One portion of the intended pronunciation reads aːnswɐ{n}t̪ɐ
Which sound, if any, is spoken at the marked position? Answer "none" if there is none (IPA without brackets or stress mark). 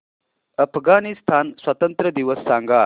none